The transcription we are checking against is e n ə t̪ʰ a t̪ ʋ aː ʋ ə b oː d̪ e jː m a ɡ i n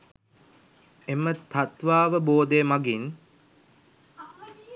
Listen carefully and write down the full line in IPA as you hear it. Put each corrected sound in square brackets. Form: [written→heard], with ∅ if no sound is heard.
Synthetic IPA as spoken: e [n→m] ə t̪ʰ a t̪ ʋ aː ʋ ə b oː d̪ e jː m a ɡ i n